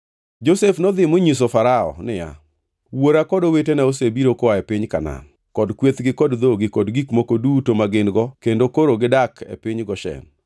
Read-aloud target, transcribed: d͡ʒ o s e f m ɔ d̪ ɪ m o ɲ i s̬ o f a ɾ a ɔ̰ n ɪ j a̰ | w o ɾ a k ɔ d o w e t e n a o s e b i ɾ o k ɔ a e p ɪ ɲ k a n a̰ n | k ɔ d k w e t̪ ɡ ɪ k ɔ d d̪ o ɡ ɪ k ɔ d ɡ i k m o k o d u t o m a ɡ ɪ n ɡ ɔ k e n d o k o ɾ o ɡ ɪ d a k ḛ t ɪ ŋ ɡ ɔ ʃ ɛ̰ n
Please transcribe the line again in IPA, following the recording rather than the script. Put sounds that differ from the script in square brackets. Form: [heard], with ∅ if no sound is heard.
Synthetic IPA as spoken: d͡ʒ o s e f [n] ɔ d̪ ɪ m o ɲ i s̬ o f a ɾ a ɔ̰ n ɪ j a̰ | w o ɾ a k ɔ d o w e t e n a o s e b i ɾ o k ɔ a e p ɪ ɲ k a n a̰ n | k ɔ d k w e t̪ ɡ ɪ k ɔ d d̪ o ɡ ɪ k ɔ d ɡ i k m o k o d u t o m a ɡ ɪ n ɡ ɔ k e n d o k o ɾ o ɡ ɪ d a k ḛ [p] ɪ [ɲ] ɡ ɔ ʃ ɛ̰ n